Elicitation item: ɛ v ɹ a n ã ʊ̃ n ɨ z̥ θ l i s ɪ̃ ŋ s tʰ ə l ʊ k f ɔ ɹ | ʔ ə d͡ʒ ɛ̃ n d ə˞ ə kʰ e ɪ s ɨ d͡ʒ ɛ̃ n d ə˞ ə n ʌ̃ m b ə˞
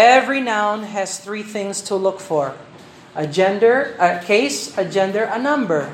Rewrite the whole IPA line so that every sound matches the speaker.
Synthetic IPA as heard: ɛ v ɹ i n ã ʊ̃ n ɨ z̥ θ ɹ i θ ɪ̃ ŋ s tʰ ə l ʊ k f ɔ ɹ | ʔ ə d͡ʒ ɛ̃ n d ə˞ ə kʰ e ɪ s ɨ d͡ʒ ɛ̃ n d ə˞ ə n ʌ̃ m b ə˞